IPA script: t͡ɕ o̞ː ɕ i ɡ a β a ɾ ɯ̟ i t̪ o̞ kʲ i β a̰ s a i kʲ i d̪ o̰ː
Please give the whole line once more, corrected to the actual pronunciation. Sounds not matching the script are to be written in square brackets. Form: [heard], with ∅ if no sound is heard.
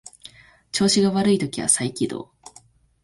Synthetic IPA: t͡ɕ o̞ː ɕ i ɡ a β a ɾ ɯ̟ i t̪ o̞ kʲ i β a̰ s a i kʲ i d̪ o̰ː